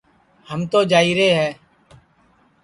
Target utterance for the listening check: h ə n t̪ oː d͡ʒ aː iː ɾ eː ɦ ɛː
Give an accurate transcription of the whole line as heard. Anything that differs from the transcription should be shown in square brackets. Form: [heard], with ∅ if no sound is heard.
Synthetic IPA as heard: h ə [m] t̪ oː d͡ʒ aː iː ɾ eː ɦ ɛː